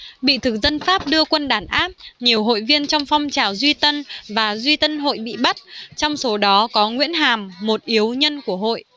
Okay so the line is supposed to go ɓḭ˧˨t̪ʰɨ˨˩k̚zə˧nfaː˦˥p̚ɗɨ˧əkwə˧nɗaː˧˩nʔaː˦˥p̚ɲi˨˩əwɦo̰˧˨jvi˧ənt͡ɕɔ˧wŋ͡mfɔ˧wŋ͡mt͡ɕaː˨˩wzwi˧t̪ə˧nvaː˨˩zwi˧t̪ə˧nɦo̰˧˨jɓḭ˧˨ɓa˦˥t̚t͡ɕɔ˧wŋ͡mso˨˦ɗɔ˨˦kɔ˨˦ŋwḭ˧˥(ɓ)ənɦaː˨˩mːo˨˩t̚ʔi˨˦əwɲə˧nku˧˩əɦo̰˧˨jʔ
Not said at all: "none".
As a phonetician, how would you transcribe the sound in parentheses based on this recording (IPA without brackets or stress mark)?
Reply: none